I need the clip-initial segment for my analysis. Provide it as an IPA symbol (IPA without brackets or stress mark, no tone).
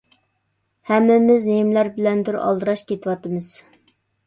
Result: h